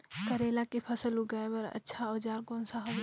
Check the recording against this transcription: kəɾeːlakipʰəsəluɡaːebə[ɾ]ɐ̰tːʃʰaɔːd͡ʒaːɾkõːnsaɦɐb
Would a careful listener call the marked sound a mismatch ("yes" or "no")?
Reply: no